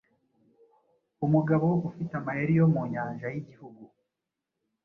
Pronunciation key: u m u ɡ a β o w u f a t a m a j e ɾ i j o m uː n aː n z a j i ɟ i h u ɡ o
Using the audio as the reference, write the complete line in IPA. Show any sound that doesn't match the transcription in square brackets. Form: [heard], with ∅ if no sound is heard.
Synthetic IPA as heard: u m u ɡ a β o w u f [i] t a m a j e ɾ i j o m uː [ɲ] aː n [ʒ] a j i ɟ i h u ɡ [u]